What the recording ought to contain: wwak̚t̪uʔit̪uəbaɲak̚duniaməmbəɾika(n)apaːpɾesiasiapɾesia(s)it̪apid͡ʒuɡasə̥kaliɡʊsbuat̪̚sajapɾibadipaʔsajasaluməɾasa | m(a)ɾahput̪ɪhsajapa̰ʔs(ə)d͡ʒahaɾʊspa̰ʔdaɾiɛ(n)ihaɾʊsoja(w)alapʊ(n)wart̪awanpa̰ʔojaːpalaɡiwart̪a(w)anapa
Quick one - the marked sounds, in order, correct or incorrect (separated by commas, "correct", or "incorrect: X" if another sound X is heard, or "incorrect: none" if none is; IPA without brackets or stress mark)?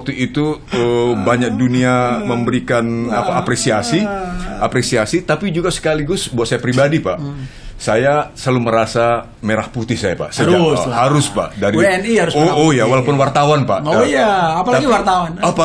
correct, correct, incorrect: e, correct, correct, correct, correct, correct